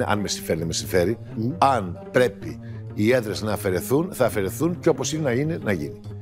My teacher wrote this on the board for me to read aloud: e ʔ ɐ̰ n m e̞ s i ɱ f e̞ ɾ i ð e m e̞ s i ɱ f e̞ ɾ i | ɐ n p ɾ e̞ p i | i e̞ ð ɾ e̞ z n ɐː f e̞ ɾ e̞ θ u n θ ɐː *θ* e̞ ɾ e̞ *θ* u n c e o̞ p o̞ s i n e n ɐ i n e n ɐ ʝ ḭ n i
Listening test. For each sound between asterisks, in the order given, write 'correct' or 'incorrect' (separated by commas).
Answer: incorrect, correct